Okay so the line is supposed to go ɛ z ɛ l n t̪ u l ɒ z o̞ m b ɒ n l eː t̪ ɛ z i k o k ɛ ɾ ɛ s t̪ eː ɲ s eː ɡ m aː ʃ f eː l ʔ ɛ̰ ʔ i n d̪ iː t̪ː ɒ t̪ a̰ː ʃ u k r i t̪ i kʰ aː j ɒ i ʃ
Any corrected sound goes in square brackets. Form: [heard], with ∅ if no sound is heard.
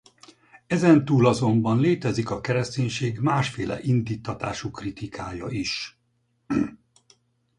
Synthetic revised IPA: ɛ z ɛ [∅] n t̪ [uː] l ɒ z o̞ m b ɒ n l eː t̪ ɛ z i k [ɒ] k ɛ ɾ ɛ s t̪ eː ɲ [ʃ] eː ɡ m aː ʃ f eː l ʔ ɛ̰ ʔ i n d̪ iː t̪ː ɒ t̪ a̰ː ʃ u k r i t̪ i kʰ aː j ɒ i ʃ

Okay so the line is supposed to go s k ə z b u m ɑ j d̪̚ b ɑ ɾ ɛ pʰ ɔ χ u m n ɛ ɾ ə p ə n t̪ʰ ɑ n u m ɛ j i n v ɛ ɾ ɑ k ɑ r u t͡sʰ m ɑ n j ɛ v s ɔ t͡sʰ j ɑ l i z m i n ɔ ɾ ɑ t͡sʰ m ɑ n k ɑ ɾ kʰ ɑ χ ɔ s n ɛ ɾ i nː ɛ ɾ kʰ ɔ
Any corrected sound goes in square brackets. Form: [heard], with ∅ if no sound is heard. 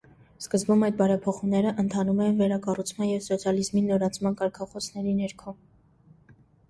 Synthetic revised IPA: s k ə z b u m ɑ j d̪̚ b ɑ ɾ ɛ pʰ ɔ χ u m n ɛ ɾ ə [ʔ] ə n t̪ʰ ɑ n u m ɛ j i n v ɛ ɾ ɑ k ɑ r u t͡sʰ m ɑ n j ɛ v s ɔ t͡sʰ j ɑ l i z m i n ɔ ɾ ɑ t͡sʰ m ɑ n k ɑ ɾ kʰ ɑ χ ɔ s n ɛ ɾ i [n] ɛ ɾ kʰ ɔ

